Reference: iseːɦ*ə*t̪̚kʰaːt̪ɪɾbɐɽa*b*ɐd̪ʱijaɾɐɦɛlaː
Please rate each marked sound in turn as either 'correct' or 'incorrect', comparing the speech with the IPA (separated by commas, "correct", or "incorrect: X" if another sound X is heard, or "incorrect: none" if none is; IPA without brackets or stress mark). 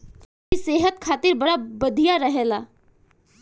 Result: correct, correct